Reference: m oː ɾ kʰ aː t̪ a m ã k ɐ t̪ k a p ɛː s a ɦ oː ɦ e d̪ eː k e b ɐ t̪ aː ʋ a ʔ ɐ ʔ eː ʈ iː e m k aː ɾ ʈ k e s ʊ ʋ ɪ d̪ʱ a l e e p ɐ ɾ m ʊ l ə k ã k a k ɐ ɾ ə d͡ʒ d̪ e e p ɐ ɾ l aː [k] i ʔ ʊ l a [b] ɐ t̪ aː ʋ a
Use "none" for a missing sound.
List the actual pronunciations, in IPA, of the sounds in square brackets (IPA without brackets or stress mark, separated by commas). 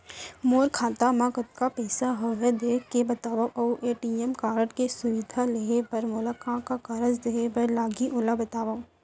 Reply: ɡ, b